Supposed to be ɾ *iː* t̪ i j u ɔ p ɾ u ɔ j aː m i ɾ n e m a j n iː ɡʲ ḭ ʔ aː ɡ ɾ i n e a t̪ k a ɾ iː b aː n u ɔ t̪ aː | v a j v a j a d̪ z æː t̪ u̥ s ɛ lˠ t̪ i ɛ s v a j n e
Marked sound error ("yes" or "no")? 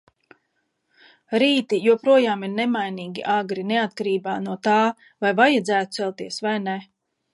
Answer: no